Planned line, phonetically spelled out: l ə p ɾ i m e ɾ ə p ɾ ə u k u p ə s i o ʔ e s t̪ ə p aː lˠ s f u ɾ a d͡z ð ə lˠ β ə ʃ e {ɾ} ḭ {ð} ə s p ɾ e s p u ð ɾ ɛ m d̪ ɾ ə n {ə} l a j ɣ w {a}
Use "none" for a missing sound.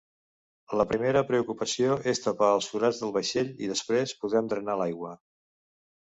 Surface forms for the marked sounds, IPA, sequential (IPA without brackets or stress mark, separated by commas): ʎ, ð, a, ə